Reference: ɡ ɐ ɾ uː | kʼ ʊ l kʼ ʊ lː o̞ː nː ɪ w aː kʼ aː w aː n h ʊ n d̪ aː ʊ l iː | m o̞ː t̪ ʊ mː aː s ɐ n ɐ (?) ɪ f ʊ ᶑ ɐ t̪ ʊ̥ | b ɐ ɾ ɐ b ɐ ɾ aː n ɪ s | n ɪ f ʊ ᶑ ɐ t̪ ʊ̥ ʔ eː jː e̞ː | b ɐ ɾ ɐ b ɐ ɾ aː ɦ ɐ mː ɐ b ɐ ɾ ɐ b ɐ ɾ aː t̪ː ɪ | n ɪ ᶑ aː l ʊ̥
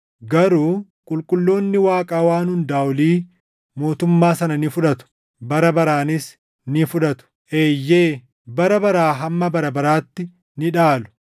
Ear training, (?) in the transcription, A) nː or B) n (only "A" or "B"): B